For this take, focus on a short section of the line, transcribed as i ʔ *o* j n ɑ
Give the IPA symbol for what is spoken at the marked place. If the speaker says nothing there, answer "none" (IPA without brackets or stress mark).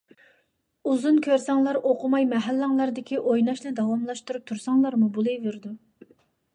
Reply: o